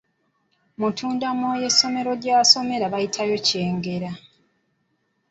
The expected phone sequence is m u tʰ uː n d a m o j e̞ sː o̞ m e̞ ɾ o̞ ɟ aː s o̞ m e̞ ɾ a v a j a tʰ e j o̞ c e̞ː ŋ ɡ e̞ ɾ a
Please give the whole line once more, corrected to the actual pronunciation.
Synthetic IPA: m u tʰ uː n d a m o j e̞ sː o̞ m e̞ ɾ o̞ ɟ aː s o̞ m e̞ ɾ a β a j i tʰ a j o̞ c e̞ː ŋ ɡ e̞ ɾ a